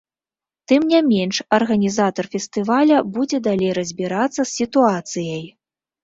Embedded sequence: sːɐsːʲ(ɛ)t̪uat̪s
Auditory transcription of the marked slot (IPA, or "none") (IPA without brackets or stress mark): i